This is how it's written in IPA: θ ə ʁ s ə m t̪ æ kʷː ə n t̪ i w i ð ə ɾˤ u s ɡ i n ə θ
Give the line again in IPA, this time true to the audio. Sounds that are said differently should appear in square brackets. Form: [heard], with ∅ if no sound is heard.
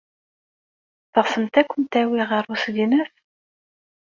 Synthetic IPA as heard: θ ə ʁ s ə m t̪ æ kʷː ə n t̪ [æ] w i [ʁ] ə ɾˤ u s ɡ i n ə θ